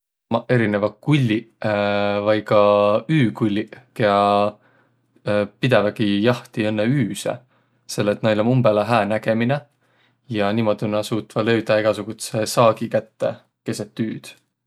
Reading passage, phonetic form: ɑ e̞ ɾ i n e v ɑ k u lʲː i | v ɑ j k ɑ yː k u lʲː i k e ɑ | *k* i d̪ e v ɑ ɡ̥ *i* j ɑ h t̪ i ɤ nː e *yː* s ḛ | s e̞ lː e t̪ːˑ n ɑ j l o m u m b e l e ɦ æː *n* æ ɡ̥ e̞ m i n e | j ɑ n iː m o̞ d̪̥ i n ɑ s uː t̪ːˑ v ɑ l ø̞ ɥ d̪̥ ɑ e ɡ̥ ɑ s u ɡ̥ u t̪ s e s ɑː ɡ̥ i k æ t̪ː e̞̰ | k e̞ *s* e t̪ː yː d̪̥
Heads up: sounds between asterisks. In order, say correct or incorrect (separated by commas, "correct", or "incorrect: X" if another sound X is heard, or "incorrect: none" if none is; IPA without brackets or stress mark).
incorrect: p, correct, correct, correct, correct